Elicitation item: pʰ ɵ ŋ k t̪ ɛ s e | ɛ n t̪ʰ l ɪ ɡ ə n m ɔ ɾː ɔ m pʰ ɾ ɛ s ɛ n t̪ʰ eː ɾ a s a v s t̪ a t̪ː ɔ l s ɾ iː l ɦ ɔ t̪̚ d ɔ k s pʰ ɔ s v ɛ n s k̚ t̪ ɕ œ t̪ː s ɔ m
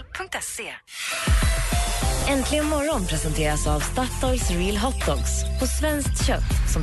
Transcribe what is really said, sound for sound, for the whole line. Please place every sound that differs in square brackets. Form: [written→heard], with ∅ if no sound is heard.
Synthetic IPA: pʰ ɵ ŋ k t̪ ɛ s e | ɛ n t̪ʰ l ɪ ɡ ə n m ɔ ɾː ɔ [m→n] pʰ ɾ ɛ s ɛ n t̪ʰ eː ɾ a s a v s t̪ a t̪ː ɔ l s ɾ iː l ɦ ɔ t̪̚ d ɔ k s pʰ ɔ s v ɛ n s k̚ t̪ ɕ œ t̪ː s ɔ m